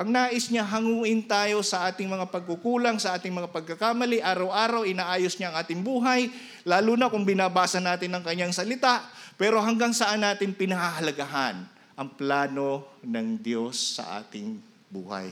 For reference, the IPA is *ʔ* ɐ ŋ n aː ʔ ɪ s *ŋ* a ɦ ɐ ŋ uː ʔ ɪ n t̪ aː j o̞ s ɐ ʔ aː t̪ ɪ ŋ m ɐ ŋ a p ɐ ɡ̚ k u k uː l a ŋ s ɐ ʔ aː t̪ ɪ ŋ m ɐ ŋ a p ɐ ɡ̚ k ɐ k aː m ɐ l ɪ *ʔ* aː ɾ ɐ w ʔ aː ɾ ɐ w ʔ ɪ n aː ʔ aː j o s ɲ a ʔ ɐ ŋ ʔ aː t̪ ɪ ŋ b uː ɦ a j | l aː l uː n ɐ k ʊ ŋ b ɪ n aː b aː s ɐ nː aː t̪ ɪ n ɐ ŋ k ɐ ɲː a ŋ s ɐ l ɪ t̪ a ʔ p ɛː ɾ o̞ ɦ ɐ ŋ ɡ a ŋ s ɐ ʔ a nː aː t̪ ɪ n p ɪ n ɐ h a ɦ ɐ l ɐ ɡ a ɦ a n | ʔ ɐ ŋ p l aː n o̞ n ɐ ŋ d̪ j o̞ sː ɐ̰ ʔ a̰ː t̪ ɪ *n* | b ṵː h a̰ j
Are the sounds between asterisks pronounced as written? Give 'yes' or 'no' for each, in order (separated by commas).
yes, no, yes, no